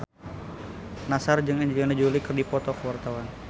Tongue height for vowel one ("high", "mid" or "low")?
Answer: low